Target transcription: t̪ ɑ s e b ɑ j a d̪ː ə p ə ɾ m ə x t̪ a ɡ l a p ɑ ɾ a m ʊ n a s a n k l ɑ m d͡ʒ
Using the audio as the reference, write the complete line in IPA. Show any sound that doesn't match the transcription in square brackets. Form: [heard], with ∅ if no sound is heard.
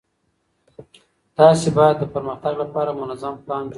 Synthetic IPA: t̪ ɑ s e b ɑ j a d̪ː ə p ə ɾ m ə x t̪ a ɡ l a p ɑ ɾ a m ʊ n a [z] a [m] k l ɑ [n] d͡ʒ